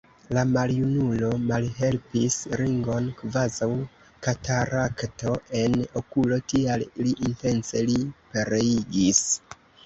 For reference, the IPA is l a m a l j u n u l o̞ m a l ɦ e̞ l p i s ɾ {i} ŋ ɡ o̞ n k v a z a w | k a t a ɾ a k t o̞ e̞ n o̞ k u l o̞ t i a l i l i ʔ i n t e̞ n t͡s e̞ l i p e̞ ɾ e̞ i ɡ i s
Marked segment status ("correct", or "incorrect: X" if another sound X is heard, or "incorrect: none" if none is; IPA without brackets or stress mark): correct